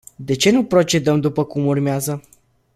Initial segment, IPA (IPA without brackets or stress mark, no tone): d̪